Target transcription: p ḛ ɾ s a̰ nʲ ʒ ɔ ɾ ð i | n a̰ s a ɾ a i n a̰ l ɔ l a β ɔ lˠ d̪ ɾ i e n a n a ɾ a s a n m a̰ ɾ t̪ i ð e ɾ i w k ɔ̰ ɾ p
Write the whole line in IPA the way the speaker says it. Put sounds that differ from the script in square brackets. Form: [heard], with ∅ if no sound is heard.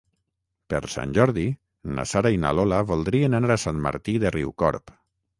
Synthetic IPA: p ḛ ɾ s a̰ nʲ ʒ ɔ ɾ ð i | n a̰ s a ɾ a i n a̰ l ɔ l a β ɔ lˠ d̪ ɾ i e n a n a ɾ a s a n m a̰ ɾ t̪ i ð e [r] i w k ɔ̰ ɾ p